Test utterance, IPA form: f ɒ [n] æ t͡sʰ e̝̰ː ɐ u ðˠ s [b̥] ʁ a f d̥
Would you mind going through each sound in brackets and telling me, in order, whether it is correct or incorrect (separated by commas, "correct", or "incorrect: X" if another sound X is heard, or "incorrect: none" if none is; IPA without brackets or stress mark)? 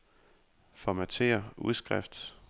incorrect: m, incorrect: ɡ̥